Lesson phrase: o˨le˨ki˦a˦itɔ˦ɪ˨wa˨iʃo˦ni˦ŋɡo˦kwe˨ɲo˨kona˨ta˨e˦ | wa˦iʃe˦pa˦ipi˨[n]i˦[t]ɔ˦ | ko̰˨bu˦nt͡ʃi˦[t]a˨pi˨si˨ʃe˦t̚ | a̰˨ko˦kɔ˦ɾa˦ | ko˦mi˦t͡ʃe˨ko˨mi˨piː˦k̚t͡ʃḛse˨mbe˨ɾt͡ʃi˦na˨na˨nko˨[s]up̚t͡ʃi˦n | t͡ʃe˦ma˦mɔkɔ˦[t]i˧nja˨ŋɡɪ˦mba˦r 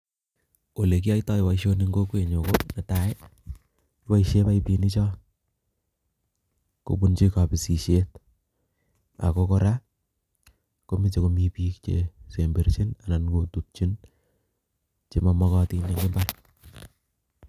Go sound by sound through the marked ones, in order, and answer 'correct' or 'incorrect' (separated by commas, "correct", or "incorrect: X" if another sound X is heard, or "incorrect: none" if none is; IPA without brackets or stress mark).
correct, incorrect: t͡ʃ, incorrect: k, incorrect: t, correct